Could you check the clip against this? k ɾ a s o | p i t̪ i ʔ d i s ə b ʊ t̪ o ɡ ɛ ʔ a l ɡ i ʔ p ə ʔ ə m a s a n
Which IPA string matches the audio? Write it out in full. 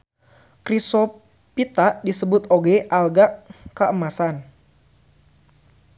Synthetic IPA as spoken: k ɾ i s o | p i t̪ a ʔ d i s ə b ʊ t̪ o ɡ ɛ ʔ a l ɡ a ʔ k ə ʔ ə m a s a n